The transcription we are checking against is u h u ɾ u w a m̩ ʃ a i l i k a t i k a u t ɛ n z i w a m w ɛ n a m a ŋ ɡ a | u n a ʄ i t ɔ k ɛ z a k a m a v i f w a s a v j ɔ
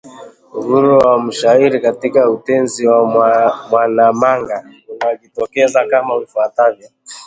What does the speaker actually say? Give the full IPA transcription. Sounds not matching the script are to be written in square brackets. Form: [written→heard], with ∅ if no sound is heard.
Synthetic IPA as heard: u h u ɾ u w a m̩ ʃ a i [l→ɾ] i k a t i k a u t ɛ n z i w a m w [ɛ→a] n a m a ŋ ɡ a | u n a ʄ i t ɔ k ɛ z a k a m a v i f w a [s→t] a v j ɔ